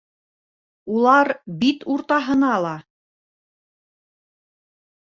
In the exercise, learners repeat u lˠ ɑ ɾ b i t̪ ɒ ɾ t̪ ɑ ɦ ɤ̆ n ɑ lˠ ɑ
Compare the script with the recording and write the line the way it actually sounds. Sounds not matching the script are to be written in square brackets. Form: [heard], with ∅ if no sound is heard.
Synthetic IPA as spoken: u lˠ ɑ ɾ b i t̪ [u] ɾ t̪ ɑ ɦ ɤ̆ n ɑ lˠ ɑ